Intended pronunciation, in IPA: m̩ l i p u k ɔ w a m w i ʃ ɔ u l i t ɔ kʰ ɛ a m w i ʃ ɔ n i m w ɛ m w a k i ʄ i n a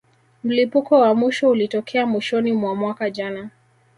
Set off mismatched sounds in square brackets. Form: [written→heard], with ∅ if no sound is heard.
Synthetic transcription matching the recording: m̩ l i p u k ɔ w a m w i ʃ ɔ u l i t ɔ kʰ ɛ a m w i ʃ ɔ n i m w [ɛ→a] m w a k [i→a] ʄ [i→a] n a